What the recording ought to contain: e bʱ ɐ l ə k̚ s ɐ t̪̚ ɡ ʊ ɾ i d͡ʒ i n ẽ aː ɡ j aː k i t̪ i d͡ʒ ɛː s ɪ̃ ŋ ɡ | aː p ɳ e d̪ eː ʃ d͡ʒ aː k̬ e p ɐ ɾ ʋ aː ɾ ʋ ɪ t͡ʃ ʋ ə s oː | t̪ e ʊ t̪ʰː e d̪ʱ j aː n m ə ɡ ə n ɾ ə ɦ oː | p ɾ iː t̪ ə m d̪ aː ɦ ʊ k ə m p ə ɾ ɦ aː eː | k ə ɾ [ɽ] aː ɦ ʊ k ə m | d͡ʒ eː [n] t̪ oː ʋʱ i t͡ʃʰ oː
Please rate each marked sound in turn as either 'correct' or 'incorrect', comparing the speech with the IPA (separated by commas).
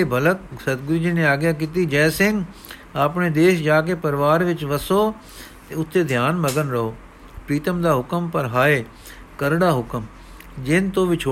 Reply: correct, correct